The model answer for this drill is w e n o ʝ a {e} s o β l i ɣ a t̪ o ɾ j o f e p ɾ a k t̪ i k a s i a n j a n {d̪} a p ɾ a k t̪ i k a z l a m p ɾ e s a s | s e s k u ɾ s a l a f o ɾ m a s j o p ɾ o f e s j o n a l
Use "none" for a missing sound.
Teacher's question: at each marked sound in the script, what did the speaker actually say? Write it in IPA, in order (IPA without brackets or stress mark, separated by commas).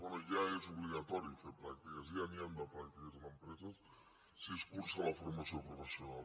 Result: e, d̪